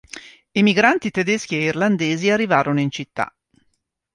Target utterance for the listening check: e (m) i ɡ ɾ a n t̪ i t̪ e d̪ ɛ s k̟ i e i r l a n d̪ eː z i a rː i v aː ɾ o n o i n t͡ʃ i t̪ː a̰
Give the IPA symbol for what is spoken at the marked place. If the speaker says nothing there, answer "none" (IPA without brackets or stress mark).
m